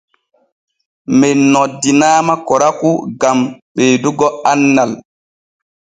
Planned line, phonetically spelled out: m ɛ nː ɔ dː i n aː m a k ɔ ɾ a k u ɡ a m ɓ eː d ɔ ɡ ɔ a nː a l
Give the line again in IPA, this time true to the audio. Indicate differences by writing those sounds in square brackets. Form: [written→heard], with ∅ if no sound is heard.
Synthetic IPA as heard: m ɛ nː ɔ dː i n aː m a k ɔ ɾ a k u ɡ a m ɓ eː d [ɔ→u] ɡ ɔ a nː a l